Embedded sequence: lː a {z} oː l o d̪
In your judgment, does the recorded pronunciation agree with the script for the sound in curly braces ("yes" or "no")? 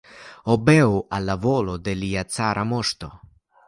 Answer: no